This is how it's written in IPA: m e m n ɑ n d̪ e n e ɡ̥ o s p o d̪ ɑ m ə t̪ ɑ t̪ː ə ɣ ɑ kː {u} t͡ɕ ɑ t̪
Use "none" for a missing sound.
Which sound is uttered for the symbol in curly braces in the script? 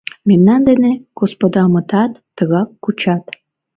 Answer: u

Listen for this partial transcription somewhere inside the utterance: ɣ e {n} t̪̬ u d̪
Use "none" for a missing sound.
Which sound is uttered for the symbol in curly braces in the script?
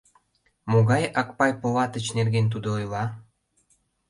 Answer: n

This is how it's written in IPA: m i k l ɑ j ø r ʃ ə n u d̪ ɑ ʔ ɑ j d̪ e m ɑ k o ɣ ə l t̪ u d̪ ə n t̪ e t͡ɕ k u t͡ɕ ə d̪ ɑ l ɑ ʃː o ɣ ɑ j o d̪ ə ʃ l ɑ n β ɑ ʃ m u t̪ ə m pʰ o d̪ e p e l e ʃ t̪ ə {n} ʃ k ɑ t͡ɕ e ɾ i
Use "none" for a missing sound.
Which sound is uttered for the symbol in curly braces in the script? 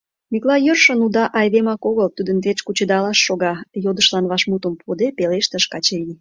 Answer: none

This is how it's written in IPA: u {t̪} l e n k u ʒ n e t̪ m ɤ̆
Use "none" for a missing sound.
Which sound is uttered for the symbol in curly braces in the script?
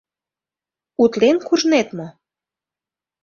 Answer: t̪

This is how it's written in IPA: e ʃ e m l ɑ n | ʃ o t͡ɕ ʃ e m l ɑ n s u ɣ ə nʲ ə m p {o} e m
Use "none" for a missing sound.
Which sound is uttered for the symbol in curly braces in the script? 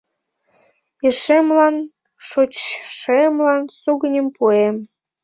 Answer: u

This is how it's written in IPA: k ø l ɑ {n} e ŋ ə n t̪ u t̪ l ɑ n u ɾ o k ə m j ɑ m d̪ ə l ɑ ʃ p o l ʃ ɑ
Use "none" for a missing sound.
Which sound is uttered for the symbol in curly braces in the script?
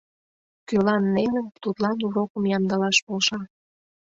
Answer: nː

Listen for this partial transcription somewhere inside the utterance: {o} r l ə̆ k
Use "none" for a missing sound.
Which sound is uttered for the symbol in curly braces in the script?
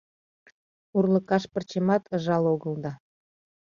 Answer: u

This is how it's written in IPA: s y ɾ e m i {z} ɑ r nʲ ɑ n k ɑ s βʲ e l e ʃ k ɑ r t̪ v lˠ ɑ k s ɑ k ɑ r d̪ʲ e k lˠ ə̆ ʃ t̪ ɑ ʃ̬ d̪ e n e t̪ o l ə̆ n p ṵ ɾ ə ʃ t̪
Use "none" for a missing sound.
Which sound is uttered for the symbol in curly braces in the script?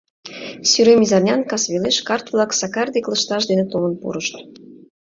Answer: z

